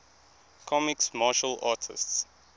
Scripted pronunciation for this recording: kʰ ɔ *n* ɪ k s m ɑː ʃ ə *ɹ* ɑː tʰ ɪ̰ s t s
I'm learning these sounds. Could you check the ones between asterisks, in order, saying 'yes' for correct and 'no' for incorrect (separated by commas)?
no, no